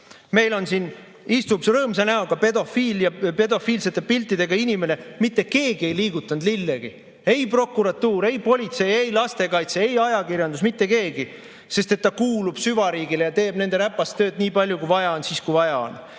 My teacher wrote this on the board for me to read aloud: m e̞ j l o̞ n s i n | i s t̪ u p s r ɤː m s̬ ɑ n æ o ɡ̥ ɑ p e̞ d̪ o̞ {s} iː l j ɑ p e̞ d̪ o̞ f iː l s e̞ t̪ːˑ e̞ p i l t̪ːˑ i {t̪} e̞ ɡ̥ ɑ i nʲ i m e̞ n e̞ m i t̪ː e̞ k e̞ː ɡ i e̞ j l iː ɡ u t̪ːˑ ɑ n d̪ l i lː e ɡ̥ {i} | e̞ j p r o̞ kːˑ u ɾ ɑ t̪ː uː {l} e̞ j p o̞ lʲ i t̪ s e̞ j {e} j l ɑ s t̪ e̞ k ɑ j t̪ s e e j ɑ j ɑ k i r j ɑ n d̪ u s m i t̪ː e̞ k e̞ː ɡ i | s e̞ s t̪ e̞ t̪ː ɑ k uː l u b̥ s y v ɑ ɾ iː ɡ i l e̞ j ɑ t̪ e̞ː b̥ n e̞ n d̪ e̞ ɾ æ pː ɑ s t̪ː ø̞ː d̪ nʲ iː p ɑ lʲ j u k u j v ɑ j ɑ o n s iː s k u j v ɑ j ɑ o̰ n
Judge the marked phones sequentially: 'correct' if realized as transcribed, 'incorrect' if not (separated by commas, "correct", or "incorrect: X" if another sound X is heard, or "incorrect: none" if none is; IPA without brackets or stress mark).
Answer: incorrect: f, incorrect: d̪, correct, incorrect: ɾ, correct